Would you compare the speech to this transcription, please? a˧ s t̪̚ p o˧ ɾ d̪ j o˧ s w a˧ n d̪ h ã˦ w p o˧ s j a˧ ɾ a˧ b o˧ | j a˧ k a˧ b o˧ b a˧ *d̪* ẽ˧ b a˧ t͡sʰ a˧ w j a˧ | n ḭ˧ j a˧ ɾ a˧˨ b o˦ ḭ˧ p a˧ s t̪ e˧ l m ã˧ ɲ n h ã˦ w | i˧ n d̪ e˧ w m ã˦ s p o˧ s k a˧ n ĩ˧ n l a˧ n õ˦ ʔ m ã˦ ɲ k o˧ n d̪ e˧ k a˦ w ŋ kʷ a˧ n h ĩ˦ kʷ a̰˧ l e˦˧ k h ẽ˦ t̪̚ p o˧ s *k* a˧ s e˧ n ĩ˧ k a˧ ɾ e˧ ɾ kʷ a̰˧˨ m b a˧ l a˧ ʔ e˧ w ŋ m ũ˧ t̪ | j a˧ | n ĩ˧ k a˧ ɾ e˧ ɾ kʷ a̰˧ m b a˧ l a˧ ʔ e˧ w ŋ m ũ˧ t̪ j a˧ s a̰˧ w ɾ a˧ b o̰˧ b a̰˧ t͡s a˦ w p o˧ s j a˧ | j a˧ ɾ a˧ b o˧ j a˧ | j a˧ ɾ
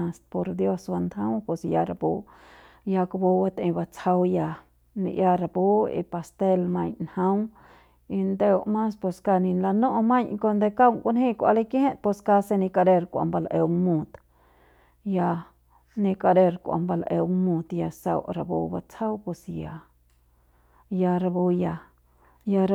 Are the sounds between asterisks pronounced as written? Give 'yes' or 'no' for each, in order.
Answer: no, yes

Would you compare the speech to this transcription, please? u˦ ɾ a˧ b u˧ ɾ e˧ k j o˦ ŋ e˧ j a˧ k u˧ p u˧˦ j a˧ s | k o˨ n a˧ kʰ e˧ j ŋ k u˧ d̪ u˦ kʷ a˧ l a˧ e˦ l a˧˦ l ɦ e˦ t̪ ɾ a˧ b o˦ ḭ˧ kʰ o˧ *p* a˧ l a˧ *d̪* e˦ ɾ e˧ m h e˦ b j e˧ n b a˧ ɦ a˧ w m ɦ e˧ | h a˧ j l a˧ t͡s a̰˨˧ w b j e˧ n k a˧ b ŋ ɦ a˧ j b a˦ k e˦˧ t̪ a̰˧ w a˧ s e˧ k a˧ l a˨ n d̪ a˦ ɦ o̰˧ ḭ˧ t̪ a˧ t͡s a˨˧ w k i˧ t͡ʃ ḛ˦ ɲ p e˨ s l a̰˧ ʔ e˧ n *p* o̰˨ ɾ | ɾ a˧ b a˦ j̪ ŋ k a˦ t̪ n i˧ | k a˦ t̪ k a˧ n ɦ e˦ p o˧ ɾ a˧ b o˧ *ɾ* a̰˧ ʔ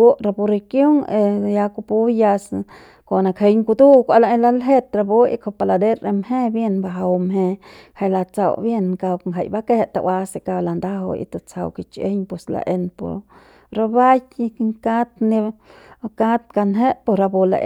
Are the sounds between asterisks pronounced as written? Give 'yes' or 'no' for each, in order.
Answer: yes, yes, yes, no

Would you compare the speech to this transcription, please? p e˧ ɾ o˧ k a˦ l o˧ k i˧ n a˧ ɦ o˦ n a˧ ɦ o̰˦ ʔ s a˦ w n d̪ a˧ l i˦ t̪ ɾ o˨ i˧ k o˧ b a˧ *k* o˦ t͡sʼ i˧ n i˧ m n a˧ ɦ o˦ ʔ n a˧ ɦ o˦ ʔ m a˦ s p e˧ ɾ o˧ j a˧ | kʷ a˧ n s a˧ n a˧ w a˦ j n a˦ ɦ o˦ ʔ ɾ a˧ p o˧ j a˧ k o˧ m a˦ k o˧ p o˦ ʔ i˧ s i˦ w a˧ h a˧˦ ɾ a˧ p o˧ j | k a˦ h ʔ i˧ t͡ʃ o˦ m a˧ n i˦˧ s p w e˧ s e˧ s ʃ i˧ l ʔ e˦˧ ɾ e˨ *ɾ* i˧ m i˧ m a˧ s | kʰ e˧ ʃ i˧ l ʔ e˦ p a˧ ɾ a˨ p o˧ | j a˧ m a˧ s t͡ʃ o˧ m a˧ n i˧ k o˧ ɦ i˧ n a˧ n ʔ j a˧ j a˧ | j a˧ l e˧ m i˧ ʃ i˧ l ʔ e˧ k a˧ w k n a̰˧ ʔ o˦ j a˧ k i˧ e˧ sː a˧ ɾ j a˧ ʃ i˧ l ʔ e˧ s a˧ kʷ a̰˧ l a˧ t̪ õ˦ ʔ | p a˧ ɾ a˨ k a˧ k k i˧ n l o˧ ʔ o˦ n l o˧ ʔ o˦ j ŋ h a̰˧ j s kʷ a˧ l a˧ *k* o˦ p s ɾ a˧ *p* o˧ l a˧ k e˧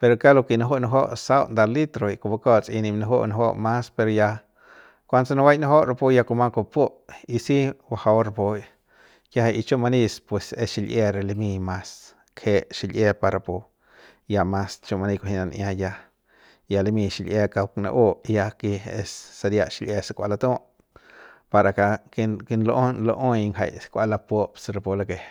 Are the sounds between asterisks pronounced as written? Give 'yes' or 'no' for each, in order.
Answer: yes, no, no, yes

